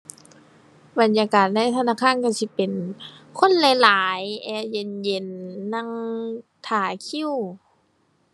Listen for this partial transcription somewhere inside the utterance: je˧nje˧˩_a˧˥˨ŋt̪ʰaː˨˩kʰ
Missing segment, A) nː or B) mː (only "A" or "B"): A